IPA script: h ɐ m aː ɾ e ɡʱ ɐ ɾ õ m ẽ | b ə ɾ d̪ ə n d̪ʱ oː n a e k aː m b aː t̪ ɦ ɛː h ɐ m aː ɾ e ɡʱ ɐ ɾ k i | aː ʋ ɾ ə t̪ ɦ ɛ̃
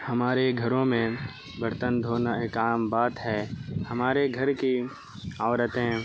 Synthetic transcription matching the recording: h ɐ m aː ɾ e ɡʱ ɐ ɾ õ m ẽ | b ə ɾ t̪ ə n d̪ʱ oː n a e k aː m b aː t̪ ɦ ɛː h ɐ m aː ɾ e ɡʱ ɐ ɾ k i | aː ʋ ɾ ə t̪ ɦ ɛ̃